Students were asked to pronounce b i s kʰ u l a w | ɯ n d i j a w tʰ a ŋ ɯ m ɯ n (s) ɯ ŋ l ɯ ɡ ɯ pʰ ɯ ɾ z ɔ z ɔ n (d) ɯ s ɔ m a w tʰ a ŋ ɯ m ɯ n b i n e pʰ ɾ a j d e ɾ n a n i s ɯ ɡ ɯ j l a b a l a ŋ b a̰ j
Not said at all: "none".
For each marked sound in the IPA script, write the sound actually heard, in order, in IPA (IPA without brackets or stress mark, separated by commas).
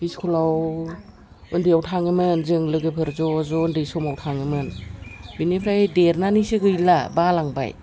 z, d